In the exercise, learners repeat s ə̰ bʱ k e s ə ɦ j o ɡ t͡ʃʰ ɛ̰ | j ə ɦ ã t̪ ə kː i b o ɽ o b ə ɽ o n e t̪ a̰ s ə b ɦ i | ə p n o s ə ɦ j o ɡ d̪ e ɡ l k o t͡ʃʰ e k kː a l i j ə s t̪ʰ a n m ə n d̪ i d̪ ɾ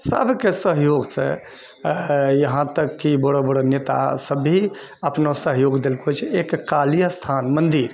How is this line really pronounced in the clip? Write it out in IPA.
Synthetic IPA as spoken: s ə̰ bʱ k e s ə ɦ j o ɡ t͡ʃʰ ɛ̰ | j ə ɦ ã t̪ ə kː i b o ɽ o b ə ɽ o n e t̪ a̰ s ə b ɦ i | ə p n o s ə ɦ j o ɡ d̪ e l k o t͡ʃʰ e k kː a l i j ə s t̪ʰ a n m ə n d̪ i ɾ